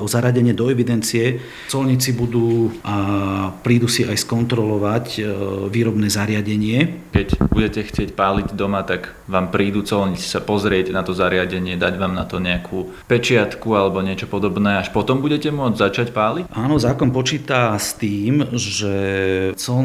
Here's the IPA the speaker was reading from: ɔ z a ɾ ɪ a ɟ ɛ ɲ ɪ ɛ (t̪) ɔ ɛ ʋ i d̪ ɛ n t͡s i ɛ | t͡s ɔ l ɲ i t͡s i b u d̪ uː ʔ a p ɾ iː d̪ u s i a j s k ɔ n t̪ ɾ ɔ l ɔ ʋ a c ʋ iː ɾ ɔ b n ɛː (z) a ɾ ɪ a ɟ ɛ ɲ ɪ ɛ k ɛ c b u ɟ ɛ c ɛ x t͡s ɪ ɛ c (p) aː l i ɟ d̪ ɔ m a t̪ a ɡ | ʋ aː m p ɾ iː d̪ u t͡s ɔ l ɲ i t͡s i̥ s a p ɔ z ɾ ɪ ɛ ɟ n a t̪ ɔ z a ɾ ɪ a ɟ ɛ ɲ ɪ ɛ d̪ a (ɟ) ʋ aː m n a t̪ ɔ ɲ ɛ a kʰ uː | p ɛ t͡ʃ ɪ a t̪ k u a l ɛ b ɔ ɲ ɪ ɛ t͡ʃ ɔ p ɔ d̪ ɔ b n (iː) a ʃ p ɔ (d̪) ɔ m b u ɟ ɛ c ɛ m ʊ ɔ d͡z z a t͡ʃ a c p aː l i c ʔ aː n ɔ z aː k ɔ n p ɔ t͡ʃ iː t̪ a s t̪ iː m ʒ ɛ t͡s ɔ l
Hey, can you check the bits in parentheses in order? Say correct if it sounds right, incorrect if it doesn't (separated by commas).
incorrect, correct, correct, correct, incorrect, incorrect